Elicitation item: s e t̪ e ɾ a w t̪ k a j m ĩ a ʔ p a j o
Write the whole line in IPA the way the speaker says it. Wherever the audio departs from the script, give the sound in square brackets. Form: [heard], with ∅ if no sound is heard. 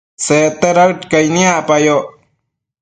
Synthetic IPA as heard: s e t̪ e ɾ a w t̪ k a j [n] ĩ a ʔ p a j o